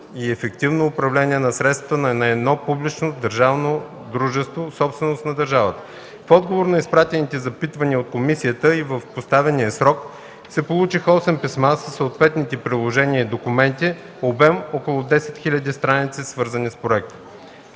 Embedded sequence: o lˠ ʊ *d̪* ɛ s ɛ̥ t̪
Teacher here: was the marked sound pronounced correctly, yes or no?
yes